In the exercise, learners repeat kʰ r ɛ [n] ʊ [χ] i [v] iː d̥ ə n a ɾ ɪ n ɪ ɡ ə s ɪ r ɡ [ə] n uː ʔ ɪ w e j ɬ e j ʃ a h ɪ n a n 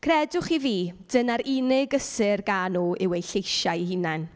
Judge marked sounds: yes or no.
no, yes, yes, no

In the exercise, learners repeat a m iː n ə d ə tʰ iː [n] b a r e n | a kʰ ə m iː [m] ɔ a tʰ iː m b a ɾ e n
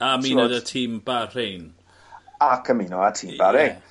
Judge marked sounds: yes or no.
no, no

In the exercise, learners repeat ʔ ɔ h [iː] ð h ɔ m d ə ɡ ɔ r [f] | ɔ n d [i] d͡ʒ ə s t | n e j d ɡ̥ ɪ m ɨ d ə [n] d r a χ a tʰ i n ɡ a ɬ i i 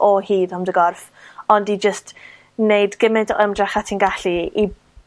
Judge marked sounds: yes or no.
yes, yes, yes, no

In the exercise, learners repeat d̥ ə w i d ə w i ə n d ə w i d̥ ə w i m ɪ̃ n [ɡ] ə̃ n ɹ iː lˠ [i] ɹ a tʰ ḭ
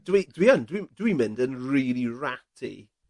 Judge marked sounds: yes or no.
no, yes

